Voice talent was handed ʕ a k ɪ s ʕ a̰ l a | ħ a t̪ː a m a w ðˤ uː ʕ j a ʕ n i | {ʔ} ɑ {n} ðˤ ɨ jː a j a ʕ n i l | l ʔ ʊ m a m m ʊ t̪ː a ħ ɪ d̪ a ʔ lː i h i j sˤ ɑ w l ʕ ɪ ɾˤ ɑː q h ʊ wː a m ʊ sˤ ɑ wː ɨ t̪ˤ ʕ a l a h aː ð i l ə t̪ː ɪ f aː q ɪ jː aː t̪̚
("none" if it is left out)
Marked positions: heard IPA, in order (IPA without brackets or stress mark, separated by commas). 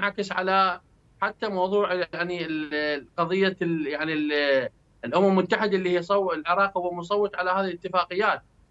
q, none